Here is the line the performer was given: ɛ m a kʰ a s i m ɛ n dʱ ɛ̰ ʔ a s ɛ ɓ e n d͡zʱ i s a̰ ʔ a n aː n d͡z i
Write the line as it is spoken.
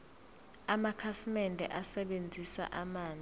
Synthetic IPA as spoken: a m a kʰ a s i m ɛ n dʱ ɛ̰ ʔ a s ɛ ɓ e n d͡zʱ i s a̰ ʔ a m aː n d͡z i